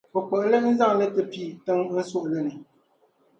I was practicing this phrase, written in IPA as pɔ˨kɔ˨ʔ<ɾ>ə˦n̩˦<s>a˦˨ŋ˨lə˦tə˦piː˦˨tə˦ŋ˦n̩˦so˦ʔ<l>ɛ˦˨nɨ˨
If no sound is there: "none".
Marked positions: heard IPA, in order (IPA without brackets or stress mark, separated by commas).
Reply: l, z, l